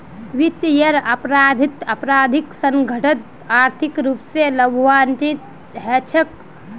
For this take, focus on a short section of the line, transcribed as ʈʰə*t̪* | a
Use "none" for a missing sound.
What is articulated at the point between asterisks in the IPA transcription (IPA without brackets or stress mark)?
t̪